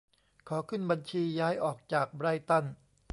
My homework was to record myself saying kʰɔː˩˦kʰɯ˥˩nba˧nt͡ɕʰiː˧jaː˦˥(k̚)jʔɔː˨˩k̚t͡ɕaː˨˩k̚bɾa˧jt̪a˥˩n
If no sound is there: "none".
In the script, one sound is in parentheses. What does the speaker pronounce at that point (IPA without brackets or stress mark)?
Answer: none